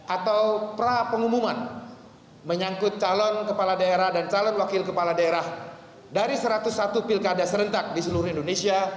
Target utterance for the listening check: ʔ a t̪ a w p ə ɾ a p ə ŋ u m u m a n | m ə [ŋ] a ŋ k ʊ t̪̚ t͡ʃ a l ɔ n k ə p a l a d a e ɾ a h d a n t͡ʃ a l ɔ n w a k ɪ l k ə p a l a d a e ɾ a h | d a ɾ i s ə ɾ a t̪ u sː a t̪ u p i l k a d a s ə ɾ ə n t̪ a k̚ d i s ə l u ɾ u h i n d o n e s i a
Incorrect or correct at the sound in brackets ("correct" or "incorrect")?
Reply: incorrect